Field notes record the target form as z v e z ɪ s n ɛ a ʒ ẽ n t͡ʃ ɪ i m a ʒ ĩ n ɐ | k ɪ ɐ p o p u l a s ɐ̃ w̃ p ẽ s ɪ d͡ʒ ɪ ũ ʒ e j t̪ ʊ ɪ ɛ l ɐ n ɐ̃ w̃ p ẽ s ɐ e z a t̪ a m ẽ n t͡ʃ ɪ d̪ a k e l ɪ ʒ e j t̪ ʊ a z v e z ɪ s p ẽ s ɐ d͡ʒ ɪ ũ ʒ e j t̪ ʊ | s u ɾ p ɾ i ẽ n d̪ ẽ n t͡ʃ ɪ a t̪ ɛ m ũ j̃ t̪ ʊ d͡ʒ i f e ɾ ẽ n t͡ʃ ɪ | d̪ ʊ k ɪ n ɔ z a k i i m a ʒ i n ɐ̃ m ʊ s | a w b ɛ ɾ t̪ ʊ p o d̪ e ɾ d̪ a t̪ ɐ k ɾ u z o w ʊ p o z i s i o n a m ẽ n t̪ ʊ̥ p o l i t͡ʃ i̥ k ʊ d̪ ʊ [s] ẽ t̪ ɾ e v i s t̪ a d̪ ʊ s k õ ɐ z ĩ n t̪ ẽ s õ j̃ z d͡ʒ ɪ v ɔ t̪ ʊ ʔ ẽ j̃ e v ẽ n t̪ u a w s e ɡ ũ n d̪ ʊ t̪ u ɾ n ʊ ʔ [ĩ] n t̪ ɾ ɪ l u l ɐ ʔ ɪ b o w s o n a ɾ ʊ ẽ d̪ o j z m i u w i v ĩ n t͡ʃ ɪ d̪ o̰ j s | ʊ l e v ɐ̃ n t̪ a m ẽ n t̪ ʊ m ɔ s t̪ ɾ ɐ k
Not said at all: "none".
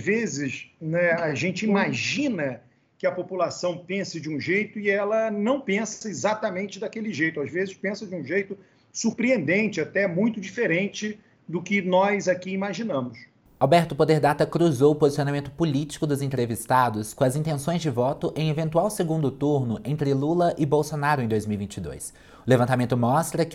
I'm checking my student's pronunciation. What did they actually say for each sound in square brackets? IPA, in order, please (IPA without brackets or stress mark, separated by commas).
z, ẽ